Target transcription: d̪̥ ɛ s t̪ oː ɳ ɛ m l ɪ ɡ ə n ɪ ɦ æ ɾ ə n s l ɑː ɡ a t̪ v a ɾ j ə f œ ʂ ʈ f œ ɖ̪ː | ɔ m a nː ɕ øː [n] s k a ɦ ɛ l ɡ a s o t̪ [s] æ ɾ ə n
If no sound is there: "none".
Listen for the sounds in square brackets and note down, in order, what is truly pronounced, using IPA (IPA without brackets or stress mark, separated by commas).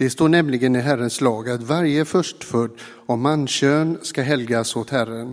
n, h